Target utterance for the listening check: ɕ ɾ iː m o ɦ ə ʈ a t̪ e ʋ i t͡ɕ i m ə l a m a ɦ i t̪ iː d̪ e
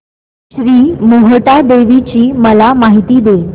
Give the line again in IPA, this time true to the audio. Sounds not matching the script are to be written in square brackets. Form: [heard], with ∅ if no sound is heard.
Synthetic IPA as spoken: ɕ ɾ iː m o ɦ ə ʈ a [d̪] e ʋ i t͡ɕ [iː] m ə l a m a ɦ i t̪ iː d̪ e

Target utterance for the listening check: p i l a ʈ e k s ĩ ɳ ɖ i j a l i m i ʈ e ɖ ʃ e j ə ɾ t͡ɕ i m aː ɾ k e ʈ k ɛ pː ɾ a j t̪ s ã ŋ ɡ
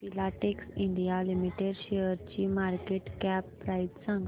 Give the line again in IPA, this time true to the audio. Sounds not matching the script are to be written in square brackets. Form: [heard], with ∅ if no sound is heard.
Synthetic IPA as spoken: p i l a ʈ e k s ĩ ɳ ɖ i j a l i m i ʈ e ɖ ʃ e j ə ɾ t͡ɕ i m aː ɾ k e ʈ k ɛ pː ɾ a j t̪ s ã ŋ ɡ

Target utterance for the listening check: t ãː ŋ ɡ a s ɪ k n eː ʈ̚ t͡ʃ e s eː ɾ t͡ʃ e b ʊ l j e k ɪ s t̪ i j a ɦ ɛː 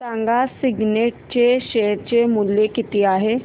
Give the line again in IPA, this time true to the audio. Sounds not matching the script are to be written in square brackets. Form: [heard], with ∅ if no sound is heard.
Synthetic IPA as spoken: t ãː ŋ ɡ a s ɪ [ɡ] n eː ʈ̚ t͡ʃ e [ʃ] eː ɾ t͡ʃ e [m] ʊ l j e k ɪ [∅] t̪ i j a ɦ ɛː

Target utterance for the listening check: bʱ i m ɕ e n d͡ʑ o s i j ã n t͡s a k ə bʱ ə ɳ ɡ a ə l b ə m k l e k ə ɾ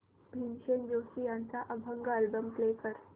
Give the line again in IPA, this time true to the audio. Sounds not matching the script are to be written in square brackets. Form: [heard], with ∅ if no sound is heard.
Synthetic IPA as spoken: bʱ i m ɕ e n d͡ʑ o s i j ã n t͡s a [ʔ] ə bʱ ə [ŋ] ɡ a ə l b ə m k l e k ə ɾ

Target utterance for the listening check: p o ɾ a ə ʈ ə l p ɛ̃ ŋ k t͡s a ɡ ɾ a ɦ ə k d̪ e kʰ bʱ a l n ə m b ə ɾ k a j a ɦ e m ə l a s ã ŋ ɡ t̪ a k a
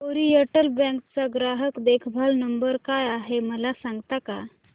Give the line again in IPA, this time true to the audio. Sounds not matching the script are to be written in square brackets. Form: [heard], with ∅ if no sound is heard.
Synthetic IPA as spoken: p o ɾ [i] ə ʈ ə l [b] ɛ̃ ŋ k t͡s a ɡ ɾ a ɦ ə k d̪ e kʰ bʱ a l n ə m b ə ɾ k a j a ɦ e m ə l a s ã ŋ ɡ t̪ a k a

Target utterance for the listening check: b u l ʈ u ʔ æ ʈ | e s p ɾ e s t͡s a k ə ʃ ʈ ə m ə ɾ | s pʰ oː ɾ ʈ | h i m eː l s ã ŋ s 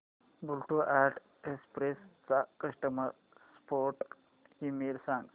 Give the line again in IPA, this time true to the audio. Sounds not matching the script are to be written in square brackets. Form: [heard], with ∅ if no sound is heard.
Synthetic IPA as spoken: b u l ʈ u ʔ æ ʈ | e s p ɾ e s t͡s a k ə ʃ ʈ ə m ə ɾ | s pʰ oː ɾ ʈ | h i m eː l s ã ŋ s

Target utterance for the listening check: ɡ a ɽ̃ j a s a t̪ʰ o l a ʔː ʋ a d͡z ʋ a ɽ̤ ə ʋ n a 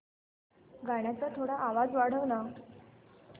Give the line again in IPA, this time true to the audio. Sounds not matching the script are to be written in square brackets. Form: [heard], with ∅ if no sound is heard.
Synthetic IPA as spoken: ɡ a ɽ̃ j a [t͡s] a t̪ʰ o [ɽ] a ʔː ʋ a d͡z ʋ a ɽ̤ ə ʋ n a

